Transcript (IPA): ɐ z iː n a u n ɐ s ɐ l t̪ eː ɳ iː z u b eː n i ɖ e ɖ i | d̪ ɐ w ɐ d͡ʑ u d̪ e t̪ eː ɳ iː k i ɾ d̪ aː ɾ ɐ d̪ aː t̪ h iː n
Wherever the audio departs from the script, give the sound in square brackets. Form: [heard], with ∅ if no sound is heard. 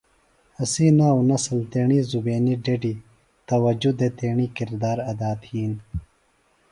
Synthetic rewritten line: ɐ [s] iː n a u n ɐ s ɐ l t̪ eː ɳ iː z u b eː n i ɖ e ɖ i | [t̪] ɐ w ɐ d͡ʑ u d̪ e t̪ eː ɳ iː k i ɾ d̪ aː ɾ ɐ d̪ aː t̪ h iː n